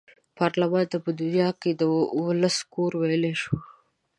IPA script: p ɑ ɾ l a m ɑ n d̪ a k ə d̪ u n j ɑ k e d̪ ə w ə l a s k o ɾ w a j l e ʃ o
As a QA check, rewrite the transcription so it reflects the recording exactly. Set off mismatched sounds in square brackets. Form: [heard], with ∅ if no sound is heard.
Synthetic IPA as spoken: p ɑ ɾ l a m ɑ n [t̪] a [p] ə d̪ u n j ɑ k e d̪ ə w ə l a s k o ɾ w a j l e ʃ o